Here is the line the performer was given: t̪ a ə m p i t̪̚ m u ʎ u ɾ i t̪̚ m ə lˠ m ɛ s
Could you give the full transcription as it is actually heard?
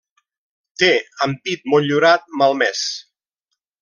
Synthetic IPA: t̪ e ə m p i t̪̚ m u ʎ u ɾ a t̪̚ m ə lˠ m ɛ s